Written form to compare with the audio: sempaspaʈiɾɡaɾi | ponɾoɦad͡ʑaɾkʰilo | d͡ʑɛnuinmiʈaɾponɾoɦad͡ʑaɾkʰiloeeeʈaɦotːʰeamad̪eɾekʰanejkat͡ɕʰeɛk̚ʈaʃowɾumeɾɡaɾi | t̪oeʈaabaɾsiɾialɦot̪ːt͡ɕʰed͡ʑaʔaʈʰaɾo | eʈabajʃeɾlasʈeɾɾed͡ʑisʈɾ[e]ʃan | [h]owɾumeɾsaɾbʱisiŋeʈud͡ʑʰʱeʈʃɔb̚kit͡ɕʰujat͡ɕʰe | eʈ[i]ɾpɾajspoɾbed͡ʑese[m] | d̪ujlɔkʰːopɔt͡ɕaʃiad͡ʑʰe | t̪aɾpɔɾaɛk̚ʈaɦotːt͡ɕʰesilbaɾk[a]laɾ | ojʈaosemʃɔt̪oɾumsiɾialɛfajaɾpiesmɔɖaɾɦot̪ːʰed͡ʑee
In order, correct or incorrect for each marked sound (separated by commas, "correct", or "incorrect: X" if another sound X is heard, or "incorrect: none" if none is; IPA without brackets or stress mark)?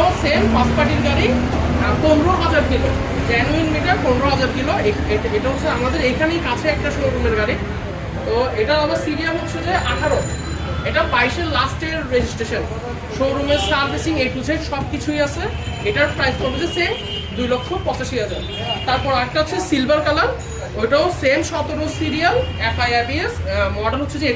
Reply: correct, incorrect: ʃ, incorrect: a, correct, correct